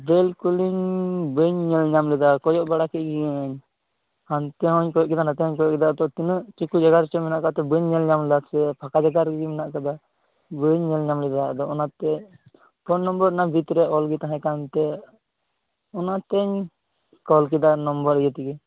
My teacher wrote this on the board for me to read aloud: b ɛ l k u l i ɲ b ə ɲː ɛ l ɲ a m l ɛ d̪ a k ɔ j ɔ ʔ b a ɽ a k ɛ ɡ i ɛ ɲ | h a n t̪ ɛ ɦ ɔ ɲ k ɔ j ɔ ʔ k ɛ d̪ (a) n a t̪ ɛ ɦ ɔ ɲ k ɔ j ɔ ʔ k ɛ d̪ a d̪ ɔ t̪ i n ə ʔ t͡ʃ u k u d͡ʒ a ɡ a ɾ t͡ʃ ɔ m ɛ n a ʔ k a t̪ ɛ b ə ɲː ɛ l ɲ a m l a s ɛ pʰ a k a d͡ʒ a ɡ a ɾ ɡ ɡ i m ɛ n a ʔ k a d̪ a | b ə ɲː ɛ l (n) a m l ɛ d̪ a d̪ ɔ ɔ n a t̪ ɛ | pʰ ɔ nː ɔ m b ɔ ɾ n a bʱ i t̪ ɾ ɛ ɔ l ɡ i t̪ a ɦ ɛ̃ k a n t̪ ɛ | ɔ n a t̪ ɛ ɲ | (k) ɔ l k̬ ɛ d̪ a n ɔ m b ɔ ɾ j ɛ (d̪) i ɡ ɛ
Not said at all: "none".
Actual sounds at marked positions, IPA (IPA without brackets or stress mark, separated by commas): a, ɲ, k, t̪